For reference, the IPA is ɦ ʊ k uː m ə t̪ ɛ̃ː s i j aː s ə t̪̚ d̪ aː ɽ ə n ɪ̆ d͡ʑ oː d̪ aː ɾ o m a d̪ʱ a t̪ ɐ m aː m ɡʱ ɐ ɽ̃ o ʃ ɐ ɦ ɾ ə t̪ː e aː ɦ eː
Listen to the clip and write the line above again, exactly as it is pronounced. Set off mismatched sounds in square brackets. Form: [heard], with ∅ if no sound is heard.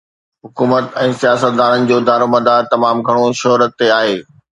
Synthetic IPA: ɦ ʊ k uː m ə t̪ ɛ̃ː s i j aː s ə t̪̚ d̪ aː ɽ ə n ɪ̆ d͡ʑ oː d̪ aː ɾ o m [ɐ] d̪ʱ a t̪ ɐ m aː m ɡʱ ɐ ɽ̃ o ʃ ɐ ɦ ɾ ə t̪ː e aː ɦ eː